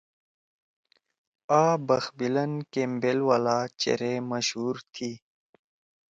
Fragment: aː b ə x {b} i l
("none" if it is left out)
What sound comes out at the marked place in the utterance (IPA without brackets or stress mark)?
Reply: b